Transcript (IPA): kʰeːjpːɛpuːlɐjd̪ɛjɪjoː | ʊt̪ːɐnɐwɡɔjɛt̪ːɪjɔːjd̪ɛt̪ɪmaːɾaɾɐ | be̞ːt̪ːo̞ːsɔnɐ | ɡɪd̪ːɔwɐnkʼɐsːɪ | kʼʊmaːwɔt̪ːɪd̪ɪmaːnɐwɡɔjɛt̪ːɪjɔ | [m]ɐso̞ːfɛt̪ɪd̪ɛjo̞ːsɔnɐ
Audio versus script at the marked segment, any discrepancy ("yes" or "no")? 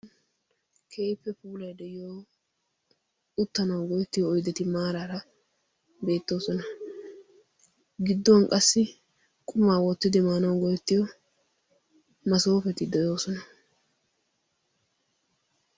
no